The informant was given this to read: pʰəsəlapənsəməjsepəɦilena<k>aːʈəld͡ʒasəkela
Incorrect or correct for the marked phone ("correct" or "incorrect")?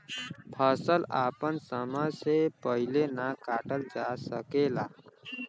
correct